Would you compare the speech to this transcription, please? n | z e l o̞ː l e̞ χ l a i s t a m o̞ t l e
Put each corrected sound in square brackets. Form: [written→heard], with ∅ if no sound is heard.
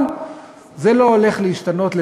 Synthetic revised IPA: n | z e l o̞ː l e̞ χ l [a→e] i [s→ʃ] t a [m→n] o̞ t l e